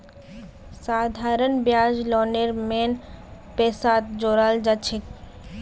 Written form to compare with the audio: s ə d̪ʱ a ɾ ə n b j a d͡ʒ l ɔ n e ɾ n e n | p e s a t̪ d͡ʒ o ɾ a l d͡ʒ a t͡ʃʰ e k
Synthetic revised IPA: s a d̪ʱ a ɾ ə n b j a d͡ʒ l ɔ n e ɾ m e n | p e s a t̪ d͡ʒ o ɾ a l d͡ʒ a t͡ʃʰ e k